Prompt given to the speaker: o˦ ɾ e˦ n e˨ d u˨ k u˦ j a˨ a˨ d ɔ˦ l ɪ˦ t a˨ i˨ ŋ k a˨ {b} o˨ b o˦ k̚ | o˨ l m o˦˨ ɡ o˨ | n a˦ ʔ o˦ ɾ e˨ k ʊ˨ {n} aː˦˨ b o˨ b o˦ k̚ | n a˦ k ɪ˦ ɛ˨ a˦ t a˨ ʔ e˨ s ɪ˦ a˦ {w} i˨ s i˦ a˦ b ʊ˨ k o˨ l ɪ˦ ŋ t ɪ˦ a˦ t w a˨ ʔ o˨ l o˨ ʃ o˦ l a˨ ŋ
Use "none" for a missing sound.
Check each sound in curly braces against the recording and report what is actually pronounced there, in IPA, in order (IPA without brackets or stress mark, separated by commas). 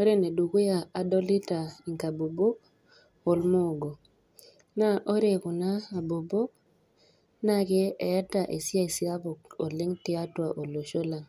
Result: b, n, none